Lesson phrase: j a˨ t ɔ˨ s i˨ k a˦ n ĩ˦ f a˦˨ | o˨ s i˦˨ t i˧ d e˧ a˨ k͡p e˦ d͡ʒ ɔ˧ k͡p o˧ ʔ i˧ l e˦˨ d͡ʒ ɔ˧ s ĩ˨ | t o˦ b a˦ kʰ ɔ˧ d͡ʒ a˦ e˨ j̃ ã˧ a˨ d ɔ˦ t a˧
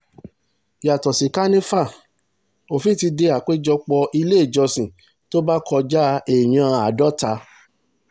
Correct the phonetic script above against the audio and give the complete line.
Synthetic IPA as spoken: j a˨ t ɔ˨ s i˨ k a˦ n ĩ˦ f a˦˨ | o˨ f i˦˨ t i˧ d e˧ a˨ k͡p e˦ d͡ʒ ɔ˧ k͡p ɔ˧ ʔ i˧ l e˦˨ d͡ʒ ɔ˧ s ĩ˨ | t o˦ b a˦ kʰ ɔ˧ d͡ʒ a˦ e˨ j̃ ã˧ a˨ d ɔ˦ t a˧

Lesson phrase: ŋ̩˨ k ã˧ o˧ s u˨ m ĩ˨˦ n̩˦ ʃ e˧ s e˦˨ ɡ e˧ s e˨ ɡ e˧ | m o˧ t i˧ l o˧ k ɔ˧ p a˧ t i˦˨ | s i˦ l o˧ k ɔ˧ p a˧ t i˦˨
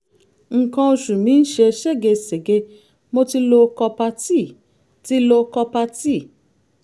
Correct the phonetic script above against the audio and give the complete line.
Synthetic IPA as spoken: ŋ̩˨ k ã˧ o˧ ʃ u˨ m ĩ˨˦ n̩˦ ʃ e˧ ʃ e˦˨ ɡ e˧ s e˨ ɡ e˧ | m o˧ t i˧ l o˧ k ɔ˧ p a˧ t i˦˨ | t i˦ l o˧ k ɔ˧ p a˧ t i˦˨

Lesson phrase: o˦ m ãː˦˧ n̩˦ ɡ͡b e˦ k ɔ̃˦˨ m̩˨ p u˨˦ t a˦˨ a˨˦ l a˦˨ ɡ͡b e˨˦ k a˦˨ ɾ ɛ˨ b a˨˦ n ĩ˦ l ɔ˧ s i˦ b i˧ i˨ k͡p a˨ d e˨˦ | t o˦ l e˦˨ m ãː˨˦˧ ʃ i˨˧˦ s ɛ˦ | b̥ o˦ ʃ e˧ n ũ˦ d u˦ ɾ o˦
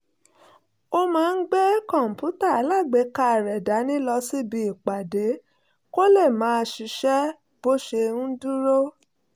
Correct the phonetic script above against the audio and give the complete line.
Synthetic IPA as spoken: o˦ m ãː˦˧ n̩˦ ɡ͡b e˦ k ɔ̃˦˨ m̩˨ p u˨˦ t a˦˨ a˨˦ l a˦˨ ɡ͡b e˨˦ k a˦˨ ɾ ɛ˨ d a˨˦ n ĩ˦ l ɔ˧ s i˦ b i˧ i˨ k͡p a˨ d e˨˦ | k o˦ l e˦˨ m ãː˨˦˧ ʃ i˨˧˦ ʃ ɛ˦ | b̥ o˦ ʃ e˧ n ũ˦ d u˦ ɾ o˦

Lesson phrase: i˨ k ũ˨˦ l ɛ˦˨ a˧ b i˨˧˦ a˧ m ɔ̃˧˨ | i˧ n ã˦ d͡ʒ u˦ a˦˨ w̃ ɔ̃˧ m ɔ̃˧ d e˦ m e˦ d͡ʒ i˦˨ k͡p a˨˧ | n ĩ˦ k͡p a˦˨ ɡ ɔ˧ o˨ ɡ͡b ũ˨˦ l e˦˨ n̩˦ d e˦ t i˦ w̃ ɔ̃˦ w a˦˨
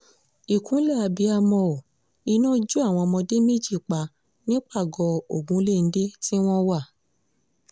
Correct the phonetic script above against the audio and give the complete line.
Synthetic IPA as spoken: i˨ k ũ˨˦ l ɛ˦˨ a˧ b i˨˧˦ a˧ m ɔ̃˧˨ | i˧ n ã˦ d͡ʒ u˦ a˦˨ w̃ ɔ̃˧ m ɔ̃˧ d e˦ m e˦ d͡ʒ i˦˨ k͡p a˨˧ | n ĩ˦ k͡p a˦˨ ɡ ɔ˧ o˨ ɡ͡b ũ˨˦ l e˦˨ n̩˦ d e˦ t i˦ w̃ ɔ̃˦ w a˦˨

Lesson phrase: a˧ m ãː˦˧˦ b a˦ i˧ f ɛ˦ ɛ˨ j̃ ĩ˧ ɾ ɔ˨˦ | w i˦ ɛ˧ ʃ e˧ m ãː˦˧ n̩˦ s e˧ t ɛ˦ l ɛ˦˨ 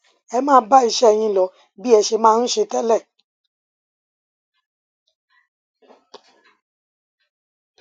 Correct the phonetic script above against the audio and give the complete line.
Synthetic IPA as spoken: ɛ˧ m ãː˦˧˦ b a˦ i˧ ʃ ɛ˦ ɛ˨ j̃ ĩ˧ l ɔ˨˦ | b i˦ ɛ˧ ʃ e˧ m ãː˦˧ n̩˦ ʃ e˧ t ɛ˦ l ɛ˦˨

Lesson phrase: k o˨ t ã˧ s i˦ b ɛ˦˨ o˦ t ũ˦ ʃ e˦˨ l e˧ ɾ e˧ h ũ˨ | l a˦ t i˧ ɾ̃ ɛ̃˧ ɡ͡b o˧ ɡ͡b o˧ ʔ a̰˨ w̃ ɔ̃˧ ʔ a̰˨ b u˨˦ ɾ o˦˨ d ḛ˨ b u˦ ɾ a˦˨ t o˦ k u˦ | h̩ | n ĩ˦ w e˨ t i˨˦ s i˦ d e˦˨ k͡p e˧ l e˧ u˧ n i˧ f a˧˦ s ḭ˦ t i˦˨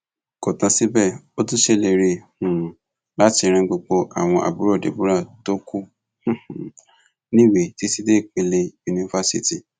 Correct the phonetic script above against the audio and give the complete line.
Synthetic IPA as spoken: k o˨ t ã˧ s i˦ b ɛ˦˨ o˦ t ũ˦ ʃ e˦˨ l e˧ ɾ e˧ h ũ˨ | l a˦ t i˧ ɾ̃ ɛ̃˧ ɡ͡b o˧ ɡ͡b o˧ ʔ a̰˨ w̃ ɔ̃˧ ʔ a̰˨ b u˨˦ ɾ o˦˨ d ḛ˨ b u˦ ɾ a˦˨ t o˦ k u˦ | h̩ | n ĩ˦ w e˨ t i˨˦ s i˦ d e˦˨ k͡p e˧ l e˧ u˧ n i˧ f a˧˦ s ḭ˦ t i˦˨

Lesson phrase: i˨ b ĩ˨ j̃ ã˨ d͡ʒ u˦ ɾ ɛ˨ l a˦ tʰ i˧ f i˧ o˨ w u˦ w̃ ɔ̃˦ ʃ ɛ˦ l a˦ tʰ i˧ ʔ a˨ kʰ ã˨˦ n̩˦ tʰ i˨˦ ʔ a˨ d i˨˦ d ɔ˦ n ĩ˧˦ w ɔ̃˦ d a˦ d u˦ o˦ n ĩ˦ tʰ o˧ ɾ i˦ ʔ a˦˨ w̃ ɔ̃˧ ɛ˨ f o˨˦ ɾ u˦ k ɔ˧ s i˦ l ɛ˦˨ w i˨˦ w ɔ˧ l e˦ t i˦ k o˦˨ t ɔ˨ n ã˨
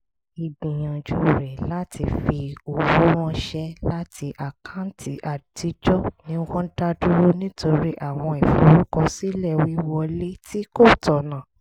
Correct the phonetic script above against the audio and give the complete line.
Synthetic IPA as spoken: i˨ b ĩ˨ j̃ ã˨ d͡ʒ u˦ ɾ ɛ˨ l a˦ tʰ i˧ f i˧ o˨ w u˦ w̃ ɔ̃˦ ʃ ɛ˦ l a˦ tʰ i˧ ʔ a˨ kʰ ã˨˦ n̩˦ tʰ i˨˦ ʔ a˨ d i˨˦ d͡ʒ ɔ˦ n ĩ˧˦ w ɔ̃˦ d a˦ d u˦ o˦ n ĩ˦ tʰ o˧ ɾ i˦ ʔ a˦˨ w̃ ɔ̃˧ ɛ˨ f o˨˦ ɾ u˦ k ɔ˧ s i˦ l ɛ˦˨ w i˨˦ w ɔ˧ l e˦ t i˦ k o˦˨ t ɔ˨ n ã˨

